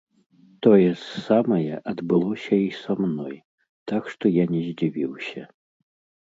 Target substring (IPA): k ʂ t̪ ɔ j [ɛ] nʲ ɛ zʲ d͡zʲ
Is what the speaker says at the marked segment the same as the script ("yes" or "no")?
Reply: no